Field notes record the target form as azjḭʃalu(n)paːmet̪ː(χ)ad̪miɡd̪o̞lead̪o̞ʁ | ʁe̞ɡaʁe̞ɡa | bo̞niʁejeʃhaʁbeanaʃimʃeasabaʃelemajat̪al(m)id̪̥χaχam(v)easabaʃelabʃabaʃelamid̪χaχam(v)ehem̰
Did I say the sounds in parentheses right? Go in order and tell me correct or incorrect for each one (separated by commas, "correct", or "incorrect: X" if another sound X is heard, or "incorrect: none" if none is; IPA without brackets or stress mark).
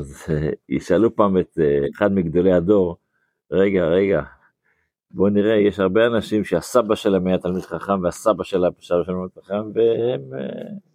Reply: incorrect: none, correct, correct, correct, correct